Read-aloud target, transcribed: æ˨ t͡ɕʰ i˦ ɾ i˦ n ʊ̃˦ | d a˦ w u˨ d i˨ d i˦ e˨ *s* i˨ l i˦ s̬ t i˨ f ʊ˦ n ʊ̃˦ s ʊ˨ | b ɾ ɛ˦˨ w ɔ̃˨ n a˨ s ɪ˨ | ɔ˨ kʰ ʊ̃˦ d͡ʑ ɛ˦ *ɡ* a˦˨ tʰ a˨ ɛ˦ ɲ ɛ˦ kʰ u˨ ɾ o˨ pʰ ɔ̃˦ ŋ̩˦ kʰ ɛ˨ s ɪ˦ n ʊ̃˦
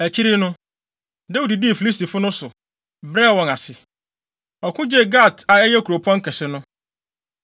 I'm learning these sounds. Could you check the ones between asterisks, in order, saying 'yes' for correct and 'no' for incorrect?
no, yes

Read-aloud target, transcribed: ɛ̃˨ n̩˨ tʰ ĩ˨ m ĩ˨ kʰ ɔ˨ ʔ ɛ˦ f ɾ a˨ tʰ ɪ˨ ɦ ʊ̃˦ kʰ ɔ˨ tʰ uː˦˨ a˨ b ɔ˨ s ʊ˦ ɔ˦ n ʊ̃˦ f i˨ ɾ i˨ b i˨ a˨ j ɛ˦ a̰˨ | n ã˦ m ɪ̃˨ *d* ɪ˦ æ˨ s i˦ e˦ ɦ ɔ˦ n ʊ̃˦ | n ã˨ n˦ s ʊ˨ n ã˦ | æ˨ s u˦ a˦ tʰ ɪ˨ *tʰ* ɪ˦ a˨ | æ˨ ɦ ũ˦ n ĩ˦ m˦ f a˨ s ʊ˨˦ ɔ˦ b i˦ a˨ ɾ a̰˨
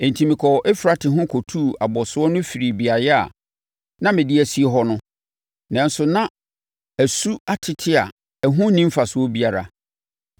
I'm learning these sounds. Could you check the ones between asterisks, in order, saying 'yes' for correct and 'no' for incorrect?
yes, yes

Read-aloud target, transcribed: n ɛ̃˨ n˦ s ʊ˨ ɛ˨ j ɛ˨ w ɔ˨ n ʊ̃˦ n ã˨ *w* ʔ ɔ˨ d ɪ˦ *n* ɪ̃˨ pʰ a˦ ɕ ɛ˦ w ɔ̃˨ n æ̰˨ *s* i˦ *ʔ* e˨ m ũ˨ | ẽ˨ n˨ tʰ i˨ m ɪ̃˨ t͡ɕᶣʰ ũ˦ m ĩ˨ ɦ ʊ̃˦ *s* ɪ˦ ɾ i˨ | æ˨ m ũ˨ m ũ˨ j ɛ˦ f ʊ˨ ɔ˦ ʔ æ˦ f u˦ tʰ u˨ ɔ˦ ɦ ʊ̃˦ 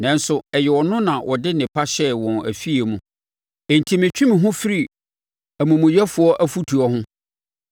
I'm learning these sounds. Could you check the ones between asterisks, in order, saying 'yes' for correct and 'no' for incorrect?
yes, yes, no, no, no

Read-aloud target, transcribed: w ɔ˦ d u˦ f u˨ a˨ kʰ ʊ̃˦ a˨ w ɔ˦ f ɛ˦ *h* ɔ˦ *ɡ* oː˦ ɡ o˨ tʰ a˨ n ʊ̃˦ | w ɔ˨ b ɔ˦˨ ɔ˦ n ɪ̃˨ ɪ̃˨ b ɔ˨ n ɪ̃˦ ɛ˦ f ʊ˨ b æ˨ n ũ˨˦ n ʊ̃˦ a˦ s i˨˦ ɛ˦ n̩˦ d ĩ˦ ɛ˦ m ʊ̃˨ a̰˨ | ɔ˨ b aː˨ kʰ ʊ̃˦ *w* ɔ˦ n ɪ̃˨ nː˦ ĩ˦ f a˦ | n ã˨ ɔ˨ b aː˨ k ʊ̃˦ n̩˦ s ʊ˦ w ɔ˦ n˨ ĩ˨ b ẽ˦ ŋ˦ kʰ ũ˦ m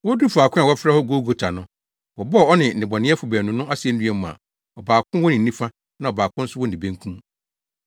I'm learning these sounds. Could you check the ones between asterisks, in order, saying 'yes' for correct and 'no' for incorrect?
yes, yes, yes

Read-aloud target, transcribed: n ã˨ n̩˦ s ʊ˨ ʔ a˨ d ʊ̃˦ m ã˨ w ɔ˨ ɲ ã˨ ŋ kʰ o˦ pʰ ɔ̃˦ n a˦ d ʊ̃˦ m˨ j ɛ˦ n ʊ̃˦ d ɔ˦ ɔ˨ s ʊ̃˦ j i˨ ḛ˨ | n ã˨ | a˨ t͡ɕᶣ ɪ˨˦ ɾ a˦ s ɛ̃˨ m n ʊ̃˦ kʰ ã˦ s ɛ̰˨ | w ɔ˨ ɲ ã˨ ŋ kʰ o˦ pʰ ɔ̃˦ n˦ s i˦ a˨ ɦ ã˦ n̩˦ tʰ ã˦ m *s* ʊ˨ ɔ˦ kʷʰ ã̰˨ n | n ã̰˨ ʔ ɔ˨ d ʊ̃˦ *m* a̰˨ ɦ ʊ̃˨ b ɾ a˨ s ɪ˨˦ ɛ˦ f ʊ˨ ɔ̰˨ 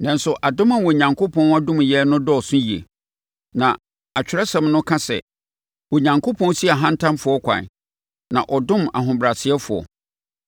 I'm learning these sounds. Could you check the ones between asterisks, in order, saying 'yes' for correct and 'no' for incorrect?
no, yes

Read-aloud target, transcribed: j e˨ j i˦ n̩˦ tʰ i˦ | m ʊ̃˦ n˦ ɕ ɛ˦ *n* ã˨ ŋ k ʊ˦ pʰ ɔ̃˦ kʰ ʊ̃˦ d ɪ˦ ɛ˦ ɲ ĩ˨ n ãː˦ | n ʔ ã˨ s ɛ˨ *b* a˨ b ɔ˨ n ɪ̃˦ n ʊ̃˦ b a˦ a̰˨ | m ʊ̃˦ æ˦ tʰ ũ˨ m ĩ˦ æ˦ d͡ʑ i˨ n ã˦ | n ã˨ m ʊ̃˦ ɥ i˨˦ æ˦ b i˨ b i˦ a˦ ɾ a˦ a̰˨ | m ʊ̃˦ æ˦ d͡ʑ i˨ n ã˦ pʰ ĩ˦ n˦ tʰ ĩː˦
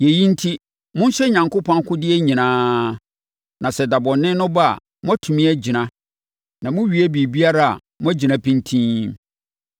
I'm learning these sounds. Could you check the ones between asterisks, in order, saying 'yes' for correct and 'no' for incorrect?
no, no

